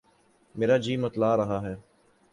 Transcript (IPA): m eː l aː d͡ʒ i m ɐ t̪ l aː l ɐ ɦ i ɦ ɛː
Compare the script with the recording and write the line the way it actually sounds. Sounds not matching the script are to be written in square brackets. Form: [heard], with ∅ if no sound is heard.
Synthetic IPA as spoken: m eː [ɾ] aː d͡ʒ [iː] m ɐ t̪ l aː [ɾ] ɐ ɦ [a] ɦ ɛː